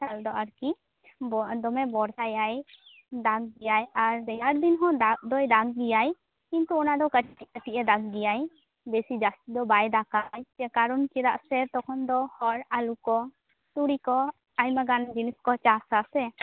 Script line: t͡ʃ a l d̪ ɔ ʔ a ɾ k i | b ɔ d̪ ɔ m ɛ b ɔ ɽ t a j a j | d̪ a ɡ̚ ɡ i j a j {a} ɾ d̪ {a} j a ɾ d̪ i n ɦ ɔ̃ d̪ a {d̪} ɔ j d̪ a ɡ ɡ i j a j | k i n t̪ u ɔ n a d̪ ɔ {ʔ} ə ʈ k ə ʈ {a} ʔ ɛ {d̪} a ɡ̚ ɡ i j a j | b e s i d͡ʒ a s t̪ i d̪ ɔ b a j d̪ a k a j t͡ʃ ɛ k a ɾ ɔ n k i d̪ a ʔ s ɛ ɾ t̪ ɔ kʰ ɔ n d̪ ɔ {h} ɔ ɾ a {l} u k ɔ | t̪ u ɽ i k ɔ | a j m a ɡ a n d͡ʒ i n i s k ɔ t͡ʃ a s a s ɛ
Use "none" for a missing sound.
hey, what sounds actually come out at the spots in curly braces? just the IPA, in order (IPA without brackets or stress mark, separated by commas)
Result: a, ɛ, d̪, k, i, d̪, h, l